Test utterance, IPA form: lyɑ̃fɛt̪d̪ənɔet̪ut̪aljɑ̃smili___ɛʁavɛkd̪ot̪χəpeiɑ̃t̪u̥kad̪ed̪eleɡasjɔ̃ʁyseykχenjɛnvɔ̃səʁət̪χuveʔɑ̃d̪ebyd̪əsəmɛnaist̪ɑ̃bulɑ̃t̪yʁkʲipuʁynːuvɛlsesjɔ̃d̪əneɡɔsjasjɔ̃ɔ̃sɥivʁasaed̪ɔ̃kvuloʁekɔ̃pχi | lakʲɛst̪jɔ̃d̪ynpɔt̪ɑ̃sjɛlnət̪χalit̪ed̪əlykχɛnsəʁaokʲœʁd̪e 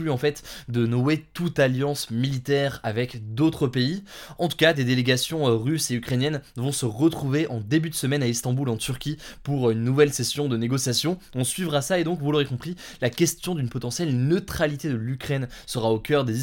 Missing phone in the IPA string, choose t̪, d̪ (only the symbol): t̪